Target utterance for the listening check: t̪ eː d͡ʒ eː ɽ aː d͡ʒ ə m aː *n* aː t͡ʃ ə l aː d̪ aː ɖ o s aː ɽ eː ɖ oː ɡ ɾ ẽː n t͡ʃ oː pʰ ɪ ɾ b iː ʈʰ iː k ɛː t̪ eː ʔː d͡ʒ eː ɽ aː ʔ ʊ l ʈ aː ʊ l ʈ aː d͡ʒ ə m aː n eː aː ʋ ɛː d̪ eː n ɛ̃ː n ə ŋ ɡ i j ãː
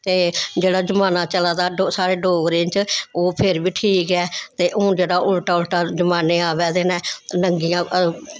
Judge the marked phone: correct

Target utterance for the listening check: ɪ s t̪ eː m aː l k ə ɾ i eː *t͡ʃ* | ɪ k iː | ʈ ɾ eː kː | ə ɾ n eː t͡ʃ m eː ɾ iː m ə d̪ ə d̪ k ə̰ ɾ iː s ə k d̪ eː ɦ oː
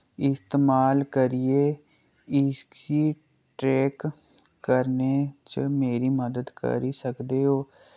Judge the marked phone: incorrect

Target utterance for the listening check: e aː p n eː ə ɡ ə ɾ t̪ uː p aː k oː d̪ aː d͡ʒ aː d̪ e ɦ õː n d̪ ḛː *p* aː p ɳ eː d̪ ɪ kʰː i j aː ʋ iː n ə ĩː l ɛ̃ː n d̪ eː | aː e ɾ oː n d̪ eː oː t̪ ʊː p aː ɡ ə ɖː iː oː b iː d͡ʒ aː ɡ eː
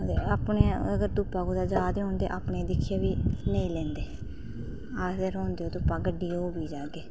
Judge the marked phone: incorrect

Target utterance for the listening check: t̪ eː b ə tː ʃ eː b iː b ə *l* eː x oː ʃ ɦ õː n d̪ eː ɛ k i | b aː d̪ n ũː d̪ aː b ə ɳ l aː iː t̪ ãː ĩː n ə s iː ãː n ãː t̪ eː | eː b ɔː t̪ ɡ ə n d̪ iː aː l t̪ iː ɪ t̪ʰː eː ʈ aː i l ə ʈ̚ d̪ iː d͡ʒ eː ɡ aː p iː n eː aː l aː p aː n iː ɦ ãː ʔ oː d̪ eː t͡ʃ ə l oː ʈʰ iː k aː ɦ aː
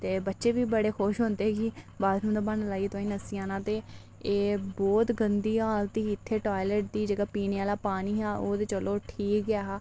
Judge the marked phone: incorrect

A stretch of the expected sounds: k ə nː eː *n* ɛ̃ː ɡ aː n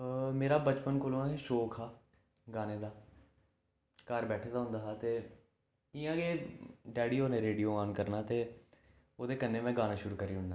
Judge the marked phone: incorrect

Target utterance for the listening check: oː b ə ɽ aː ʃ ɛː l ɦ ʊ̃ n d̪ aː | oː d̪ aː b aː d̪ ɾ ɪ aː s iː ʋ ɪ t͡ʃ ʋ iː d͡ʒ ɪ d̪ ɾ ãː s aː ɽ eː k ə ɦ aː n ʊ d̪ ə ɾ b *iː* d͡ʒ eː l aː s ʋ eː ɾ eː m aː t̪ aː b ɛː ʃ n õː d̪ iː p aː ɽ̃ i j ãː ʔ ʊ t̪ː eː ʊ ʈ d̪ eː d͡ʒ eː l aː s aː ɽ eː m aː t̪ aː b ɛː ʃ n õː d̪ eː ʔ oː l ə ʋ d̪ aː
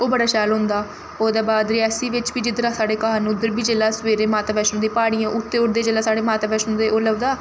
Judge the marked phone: correct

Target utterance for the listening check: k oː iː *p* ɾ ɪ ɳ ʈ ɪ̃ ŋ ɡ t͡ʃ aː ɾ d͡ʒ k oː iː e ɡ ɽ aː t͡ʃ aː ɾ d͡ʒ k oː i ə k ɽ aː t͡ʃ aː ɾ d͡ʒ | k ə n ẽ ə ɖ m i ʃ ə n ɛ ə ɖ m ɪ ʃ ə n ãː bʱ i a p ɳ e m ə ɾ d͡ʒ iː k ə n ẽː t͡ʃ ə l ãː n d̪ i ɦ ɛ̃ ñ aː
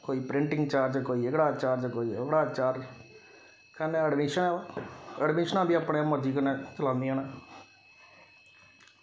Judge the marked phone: correct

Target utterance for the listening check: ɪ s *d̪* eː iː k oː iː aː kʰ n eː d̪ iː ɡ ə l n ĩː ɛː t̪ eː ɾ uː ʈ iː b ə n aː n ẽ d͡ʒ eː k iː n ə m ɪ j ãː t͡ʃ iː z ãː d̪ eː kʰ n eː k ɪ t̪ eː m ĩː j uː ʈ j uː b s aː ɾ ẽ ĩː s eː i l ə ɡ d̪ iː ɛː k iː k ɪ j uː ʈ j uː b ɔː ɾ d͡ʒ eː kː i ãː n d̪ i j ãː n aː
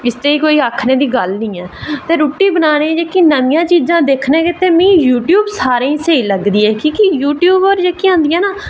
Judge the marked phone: incorrect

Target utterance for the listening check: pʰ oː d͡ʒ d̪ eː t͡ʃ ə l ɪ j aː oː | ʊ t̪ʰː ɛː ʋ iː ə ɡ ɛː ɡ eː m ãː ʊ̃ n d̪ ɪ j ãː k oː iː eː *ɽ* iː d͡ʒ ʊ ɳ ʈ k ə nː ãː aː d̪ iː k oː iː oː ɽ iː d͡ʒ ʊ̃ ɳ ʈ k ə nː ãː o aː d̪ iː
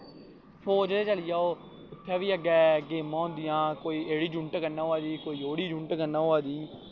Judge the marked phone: correct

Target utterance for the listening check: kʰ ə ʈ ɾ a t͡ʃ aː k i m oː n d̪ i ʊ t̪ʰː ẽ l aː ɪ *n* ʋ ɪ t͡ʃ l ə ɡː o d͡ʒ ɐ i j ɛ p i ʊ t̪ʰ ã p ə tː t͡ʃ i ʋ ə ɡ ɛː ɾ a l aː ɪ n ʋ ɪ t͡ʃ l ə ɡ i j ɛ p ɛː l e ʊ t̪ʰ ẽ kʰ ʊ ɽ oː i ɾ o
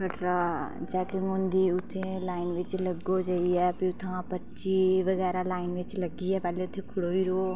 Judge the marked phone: correct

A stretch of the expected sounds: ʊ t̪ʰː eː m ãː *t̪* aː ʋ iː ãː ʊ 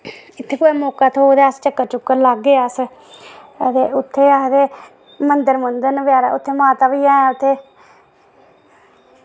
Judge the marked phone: correct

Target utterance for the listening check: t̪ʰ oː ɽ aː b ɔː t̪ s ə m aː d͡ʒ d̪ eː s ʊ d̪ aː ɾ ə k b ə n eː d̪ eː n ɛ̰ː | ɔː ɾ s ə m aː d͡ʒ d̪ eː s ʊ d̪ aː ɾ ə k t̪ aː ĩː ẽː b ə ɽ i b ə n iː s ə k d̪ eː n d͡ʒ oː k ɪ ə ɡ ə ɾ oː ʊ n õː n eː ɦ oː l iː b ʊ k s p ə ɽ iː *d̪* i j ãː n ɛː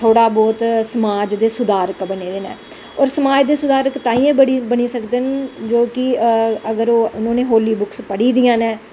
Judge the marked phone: correct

